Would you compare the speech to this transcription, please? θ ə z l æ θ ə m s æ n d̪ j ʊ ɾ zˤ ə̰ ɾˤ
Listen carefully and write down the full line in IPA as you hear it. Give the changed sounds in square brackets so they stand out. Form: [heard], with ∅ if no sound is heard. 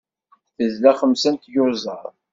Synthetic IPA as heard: θ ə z l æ [χ] ə m s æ n [t̪] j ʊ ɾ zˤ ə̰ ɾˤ